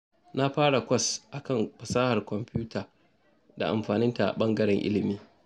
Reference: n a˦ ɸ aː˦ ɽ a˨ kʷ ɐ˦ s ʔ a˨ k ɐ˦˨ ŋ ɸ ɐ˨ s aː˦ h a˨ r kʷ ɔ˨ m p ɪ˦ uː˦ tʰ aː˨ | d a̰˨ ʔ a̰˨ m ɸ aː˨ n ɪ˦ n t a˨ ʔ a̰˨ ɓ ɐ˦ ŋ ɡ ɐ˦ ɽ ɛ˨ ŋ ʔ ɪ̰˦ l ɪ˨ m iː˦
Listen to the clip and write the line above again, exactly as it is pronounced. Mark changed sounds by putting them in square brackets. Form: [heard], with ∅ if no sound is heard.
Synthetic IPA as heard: n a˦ ɸ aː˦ ɽ a˨ kʷ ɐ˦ s ʔ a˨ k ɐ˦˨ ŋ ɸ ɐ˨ s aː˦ h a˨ r kʷ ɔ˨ m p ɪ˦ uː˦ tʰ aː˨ | d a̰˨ ʔ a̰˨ m ɸ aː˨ n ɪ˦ n t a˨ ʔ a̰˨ ɓ ɐ˦ ŋ ɡ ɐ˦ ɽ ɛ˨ ŋ ʔ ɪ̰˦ l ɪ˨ m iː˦